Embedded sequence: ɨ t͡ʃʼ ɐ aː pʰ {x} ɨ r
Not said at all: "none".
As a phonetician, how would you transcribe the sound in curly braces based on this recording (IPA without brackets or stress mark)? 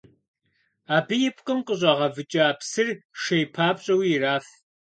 s